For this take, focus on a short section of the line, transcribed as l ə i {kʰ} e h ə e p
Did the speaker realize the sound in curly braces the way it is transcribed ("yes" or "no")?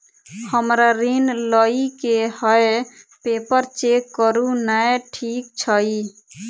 no